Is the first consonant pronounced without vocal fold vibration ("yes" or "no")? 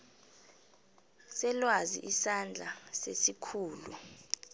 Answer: yes